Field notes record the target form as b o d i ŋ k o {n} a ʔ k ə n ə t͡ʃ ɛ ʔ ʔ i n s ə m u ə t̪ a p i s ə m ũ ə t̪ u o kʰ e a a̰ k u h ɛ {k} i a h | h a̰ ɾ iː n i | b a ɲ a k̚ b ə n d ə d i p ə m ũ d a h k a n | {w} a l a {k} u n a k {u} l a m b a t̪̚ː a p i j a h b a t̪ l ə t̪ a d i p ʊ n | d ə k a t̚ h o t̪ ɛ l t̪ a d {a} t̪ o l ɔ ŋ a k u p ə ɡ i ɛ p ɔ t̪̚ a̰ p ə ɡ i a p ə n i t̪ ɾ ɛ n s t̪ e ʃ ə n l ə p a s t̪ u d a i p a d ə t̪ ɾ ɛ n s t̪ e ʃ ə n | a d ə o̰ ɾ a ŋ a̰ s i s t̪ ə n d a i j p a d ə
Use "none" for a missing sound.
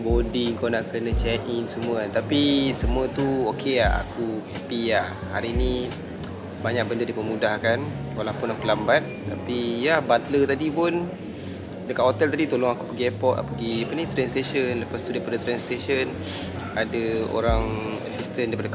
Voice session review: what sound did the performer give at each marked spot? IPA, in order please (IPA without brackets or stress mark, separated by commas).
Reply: n, p, w, p, u, i